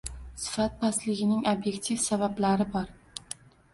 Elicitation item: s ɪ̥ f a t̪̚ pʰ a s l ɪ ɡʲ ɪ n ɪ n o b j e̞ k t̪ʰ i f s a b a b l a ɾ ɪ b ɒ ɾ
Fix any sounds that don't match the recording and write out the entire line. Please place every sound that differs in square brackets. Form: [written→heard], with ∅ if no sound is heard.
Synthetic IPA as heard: s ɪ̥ f a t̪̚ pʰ a s l ɪ ɡʲ ɪ n ɪ [n→ŋ] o b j e̞ k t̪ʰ i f s a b a b l a ɾ ɪ b ɒ ɾ